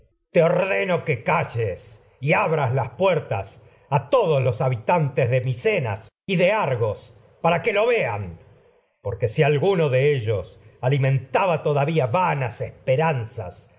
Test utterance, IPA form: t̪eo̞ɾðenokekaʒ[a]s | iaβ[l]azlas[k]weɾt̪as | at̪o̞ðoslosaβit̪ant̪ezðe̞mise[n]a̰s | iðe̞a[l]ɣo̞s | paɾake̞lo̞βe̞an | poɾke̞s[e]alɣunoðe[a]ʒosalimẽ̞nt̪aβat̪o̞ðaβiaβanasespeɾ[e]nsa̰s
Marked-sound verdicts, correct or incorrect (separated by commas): incorrect, incorrect, incorrect, correct, incorrect, incorrect, incorrect, incorrect